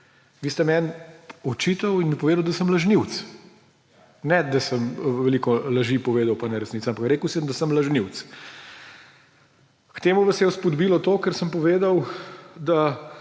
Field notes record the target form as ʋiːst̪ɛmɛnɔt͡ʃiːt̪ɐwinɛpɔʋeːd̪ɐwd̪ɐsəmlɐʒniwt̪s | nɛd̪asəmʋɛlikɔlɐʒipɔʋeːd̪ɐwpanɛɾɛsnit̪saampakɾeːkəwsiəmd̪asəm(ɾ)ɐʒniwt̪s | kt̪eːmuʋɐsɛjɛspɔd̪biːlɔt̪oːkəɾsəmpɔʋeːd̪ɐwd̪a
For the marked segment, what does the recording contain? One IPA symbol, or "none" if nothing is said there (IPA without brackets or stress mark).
l